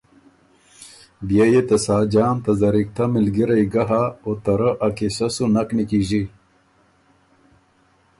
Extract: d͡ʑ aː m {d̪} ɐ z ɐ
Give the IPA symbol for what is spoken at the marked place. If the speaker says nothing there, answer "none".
t̪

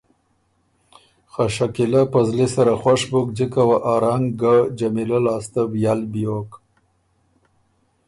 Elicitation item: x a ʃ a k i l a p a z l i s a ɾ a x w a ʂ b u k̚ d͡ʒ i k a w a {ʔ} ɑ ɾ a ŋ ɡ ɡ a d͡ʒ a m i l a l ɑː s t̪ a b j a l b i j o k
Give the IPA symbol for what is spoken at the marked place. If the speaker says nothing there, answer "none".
ʔ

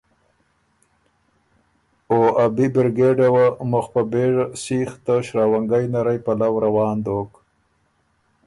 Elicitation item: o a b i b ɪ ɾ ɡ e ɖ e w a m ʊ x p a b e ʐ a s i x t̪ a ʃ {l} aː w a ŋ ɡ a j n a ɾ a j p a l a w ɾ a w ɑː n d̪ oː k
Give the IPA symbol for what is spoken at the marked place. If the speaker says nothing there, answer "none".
ɾ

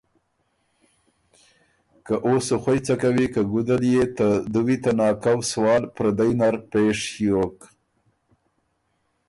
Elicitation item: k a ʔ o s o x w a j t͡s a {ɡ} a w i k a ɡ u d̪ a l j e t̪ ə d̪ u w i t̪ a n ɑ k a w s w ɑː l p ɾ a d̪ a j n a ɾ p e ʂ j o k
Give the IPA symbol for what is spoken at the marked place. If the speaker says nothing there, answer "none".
k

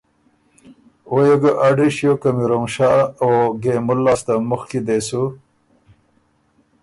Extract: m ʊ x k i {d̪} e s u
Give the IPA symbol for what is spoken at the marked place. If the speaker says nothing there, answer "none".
d̪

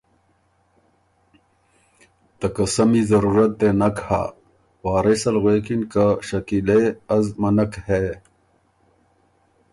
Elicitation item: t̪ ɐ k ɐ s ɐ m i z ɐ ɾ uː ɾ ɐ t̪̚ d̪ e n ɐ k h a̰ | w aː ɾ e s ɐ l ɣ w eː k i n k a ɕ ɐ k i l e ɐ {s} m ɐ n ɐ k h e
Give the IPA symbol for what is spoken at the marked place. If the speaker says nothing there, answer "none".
z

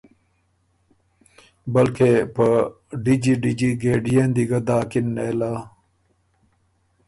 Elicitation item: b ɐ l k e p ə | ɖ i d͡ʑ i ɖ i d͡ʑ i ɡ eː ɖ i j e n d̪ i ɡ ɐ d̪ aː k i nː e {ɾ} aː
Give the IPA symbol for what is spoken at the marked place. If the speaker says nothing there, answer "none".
l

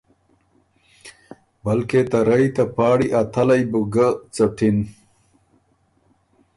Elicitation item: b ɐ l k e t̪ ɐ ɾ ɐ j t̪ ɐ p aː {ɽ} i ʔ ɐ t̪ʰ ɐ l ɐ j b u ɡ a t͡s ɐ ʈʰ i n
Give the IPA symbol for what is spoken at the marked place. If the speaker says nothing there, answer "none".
ɽ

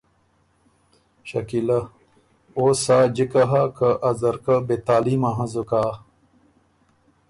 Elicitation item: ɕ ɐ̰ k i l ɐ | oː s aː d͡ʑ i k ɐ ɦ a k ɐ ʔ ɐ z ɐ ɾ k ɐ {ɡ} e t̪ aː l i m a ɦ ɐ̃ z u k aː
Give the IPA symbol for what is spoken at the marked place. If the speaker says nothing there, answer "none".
b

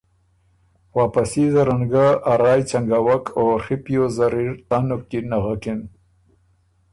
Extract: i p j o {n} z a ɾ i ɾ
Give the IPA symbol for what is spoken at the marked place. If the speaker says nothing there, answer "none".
none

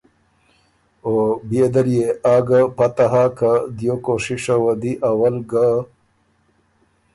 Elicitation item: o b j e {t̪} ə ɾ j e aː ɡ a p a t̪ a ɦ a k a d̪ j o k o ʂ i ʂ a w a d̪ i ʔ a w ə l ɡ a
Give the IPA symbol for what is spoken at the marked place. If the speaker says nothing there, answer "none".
d̪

